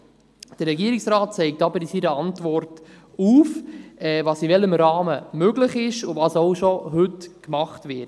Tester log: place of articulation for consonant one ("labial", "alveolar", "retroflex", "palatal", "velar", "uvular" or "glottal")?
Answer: alveolar